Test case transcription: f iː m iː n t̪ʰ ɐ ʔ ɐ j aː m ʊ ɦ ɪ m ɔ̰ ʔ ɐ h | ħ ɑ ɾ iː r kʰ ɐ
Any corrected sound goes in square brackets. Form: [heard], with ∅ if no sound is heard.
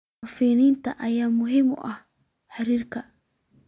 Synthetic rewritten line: f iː [n] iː n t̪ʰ ɐ ʔ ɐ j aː m ʊ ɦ ɪ m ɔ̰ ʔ ɐ h | ħ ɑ ɾ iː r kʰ ɐ